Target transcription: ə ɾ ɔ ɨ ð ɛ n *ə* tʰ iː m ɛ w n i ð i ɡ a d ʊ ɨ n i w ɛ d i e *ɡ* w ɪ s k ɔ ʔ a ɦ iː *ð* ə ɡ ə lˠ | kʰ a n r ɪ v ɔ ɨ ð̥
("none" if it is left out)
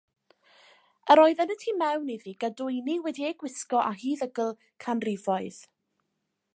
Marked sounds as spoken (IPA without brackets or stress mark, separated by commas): ə, ɡ, ð